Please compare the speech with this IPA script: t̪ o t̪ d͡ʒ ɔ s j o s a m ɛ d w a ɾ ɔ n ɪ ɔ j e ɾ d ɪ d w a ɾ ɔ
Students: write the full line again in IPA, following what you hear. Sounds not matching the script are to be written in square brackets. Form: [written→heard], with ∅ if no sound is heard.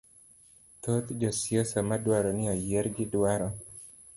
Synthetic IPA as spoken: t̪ o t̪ d͡ʒ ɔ s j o s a m [ɛ→a] d w a ɾ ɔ n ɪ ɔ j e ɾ [d→ɡ] ɪ d w a ɾ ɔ